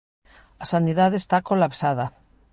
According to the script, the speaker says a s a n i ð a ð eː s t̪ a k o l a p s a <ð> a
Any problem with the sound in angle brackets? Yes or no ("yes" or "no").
no